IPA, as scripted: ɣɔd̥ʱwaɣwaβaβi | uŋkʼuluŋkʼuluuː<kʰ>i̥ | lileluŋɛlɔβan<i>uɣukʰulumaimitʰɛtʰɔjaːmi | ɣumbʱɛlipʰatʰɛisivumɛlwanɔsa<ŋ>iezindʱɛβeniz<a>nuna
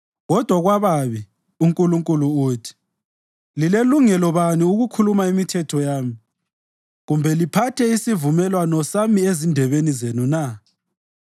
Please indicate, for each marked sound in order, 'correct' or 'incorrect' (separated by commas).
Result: incorrect, correct, incorrect, incorrect